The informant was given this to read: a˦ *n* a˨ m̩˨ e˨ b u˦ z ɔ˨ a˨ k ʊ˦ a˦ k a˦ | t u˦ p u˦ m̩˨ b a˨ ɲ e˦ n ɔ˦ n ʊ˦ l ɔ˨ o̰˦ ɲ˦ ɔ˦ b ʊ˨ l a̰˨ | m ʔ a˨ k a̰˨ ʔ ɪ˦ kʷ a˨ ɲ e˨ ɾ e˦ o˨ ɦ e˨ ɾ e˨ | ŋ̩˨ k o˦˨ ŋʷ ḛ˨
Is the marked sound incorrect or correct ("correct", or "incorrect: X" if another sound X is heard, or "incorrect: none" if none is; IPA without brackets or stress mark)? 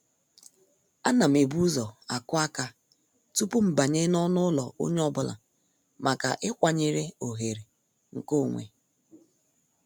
correct